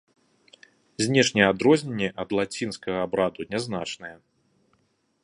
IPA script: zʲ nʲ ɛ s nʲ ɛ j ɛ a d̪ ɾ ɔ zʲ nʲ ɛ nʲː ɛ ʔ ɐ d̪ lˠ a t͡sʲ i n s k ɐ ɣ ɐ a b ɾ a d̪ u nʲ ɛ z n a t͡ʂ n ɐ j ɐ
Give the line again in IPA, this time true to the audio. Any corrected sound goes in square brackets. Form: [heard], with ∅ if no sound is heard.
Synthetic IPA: zʲ nʲ ɛ [ʂ] nʲ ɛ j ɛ a d̪ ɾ ɔ zʲ nʲ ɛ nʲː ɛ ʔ ɐ d̪ lˠ a t͡sʲ i n s k ɐ ɣ ɐ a b ɾ a d̪ u nʲ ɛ z n a t͡ʂ n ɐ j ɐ

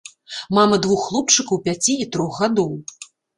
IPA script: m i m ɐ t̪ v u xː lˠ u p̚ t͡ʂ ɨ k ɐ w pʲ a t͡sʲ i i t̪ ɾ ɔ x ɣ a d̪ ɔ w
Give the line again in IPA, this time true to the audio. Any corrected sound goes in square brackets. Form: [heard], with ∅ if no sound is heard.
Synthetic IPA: m [a] m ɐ [d̪] v u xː lˠ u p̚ t͡ʂ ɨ k ɐ w pʲ a t͡sʲ i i t̪ ɾ ɔ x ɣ a d̪ ɔ w

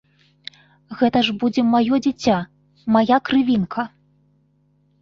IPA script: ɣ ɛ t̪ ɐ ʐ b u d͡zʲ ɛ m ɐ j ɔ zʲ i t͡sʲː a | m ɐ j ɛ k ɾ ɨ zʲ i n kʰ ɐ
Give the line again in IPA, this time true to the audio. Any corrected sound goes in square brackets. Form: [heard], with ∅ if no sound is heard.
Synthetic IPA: ɣ ɛ t̪ ɐ ʐ b u d͡zʲ ɛ m [a] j ɔ [d͡zʲ] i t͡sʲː a | m [a] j [a] k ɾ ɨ [vʲ] i n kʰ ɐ

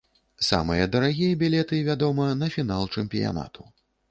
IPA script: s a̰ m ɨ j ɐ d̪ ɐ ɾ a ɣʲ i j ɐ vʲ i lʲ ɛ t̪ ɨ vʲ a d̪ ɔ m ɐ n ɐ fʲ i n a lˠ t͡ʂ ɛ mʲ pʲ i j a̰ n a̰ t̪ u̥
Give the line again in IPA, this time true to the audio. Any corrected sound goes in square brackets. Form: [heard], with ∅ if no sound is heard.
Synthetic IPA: s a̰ m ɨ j ɐ d̪ ɐ ɾ a ɣʲ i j ɐ [bʲ] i lʲ ɛ t̪ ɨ vʲ a d̪ ɔ m ɐ n ɐ fʲ i n a lˠ t͡ʂ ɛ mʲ pʲ i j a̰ n a̰ t̪ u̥

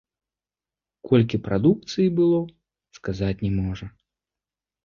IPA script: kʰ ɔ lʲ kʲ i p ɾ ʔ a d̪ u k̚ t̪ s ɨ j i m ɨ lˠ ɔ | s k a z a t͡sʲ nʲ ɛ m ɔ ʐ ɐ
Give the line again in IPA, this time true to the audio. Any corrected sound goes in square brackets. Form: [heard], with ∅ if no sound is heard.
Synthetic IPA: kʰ ɔ lʲ kʲ i p ɾ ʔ a d̪ u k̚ t̪ s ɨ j i [b] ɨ lˠ ɔ | s k a z a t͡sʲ nʲ ɛ m ɔ ʐ ɐ

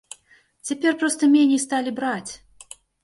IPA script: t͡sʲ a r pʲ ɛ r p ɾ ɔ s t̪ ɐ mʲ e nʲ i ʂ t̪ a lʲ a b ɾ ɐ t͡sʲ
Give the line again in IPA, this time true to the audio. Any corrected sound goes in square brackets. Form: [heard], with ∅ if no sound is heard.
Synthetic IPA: t͡sʲ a [∅] pʲ ɛ r p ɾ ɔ s t̪ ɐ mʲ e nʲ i [s] t̪ a lʲ [i] b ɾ [a] t͡sʲ

